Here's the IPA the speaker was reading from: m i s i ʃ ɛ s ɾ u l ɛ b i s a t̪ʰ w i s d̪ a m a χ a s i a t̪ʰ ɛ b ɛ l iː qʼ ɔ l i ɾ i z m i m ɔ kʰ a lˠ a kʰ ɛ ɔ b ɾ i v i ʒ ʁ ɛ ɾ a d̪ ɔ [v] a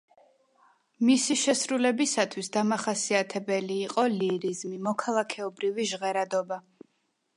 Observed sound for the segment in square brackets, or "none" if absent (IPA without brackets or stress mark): b